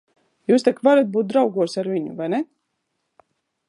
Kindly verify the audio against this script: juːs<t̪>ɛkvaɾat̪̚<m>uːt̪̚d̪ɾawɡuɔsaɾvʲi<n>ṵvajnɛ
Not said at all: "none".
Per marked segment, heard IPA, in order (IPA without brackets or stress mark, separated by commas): t̪, b, ɲ